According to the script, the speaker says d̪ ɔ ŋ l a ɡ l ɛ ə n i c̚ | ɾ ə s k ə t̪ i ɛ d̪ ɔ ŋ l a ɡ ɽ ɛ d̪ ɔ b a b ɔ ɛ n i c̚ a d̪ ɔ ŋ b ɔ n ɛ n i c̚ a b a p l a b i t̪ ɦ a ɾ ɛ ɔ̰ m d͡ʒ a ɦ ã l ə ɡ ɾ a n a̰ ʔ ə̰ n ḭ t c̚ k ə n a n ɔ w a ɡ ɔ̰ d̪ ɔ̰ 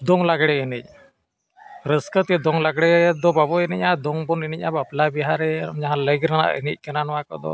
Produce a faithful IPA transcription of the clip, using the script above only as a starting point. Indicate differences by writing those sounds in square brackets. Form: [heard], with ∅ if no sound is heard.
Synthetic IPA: d̪ ɔ ŋ l a ɡ [ɽ] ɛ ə n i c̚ | ɾ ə s k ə t̪ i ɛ d̪ ɔ ŋ l a ɡ ɽ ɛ d̪ ɔ b a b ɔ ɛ n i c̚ a d̪ ɔ ŋ b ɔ n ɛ n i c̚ a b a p l a b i [∅] ɦ a ɾ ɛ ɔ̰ m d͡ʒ a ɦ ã l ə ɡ ɾ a n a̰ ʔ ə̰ n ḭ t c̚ k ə n a n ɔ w a [k] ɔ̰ d̪ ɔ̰